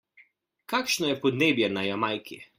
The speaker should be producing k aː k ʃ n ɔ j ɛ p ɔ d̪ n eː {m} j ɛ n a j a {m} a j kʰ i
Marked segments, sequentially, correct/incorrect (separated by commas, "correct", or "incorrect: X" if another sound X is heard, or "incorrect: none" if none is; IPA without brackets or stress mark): incorrect: b, correct